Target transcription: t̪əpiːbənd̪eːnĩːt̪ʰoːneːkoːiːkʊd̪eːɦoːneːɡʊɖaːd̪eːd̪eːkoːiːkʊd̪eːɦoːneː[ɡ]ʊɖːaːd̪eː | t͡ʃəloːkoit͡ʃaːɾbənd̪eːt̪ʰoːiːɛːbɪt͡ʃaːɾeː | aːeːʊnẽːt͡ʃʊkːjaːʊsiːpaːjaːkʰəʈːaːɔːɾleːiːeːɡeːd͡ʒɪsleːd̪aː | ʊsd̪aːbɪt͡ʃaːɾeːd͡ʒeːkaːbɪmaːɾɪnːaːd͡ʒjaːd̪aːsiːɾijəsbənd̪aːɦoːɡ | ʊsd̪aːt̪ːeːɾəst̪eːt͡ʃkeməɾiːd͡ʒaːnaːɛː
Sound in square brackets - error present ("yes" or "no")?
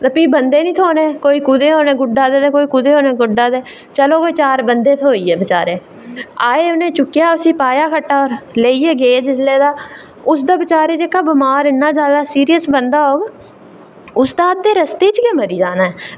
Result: no